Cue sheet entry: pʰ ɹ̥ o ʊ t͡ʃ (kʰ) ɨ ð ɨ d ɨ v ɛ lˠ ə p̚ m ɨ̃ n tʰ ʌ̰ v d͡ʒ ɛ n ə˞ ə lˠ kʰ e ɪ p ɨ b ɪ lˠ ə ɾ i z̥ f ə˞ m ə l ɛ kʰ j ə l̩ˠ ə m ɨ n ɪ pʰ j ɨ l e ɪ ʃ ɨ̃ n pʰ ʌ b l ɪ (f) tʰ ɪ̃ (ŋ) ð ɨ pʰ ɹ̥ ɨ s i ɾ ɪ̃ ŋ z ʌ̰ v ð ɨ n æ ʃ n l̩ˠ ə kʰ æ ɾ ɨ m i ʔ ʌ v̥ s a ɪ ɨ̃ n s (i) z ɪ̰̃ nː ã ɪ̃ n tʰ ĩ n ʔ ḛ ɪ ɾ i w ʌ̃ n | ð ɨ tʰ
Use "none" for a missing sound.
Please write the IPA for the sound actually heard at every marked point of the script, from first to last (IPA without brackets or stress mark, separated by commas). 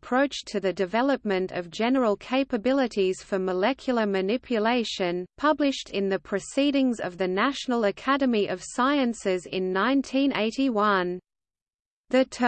tʰ, ʃ, n, ɪ